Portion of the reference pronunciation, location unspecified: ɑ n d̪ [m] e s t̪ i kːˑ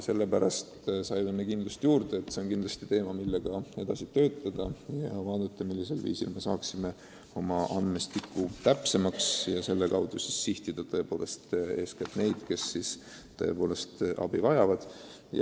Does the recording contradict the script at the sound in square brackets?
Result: no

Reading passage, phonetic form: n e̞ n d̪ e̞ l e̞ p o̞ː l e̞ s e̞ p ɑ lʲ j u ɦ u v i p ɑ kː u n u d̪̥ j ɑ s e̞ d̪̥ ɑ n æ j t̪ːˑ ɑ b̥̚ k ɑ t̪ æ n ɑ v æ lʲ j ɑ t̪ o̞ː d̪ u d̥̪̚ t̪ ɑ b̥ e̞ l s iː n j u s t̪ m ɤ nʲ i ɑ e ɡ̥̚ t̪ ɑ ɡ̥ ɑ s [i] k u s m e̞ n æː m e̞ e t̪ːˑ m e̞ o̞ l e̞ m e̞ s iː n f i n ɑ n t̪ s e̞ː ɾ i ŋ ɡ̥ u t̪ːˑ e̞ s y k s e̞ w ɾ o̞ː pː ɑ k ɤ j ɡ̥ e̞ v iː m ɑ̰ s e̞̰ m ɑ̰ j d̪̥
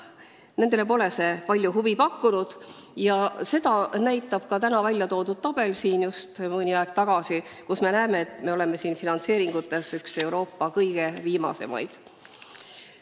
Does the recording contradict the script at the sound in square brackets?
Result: no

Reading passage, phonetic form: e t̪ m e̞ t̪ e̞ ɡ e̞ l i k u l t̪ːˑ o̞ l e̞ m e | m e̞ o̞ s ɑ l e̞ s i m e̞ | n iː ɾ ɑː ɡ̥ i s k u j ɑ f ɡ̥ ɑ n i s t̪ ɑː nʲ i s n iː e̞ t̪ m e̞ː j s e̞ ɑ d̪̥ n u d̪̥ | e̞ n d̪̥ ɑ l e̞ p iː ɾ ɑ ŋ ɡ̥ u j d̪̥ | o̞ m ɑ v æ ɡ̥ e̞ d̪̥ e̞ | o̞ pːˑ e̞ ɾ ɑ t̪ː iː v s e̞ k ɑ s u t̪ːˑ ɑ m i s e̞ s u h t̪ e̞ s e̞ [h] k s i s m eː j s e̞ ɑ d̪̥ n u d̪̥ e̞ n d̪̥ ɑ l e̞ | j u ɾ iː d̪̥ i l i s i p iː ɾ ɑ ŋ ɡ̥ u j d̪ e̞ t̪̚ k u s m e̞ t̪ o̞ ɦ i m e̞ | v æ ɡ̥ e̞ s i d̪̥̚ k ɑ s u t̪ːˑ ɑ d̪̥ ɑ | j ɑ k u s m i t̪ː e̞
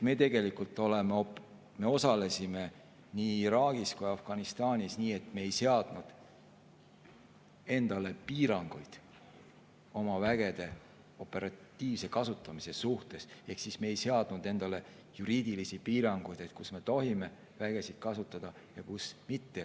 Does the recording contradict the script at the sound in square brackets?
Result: no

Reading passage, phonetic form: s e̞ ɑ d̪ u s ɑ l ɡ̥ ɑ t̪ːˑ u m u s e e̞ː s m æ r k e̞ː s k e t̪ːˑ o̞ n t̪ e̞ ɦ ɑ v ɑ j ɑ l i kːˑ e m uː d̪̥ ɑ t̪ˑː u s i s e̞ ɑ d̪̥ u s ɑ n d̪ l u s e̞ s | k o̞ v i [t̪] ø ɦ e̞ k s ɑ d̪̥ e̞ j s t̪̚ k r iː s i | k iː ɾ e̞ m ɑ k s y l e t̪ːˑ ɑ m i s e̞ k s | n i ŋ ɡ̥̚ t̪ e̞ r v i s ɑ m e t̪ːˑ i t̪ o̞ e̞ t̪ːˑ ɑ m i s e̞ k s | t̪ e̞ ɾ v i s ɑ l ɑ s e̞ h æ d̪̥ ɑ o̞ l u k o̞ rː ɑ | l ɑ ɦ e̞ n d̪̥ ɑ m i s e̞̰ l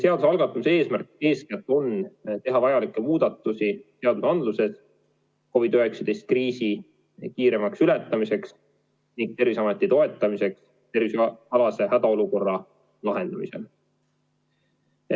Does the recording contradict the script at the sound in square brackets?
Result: yes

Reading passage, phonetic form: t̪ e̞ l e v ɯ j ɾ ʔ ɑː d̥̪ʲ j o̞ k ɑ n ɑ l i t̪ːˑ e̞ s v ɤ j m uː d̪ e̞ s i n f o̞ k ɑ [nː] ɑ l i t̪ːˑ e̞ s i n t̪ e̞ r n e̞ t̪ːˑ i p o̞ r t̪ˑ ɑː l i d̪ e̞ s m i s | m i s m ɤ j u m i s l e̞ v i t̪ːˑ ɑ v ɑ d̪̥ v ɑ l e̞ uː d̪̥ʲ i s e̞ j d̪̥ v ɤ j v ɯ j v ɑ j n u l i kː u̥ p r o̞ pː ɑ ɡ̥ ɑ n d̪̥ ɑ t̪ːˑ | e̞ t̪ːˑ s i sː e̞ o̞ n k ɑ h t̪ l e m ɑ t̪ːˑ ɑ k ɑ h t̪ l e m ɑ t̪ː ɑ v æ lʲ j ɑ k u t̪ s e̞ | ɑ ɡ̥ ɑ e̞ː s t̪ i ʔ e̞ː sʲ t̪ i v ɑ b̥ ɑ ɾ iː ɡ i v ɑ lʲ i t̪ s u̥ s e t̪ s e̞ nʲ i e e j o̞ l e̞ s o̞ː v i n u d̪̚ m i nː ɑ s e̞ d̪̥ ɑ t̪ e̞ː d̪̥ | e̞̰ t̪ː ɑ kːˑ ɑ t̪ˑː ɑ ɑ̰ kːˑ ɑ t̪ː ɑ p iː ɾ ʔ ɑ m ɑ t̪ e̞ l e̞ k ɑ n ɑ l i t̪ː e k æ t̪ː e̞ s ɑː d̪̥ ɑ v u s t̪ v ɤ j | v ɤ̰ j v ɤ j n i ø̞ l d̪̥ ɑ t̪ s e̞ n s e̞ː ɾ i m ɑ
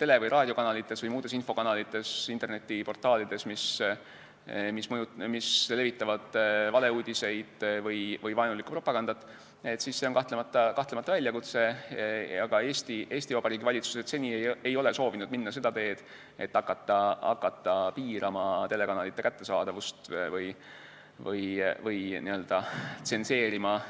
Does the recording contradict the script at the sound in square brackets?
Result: yes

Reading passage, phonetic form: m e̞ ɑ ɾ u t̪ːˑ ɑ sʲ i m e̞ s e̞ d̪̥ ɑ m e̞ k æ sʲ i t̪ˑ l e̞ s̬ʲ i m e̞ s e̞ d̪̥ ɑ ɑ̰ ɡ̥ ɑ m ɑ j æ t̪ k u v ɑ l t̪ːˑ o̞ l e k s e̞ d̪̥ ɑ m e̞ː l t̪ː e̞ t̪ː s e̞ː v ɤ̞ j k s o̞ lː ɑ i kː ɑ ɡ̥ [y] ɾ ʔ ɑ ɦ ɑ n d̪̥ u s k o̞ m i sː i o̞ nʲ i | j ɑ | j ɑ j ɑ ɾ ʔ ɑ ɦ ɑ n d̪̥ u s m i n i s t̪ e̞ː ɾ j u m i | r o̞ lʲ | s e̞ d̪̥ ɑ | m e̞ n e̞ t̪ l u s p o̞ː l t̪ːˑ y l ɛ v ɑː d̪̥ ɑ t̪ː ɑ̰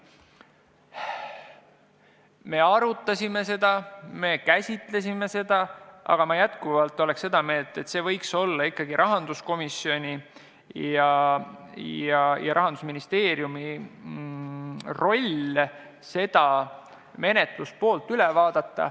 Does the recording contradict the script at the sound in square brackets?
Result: yes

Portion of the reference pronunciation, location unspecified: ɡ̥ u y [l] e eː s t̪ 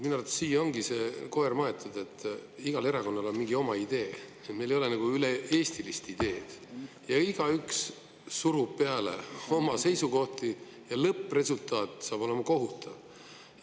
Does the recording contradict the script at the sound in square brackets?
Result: no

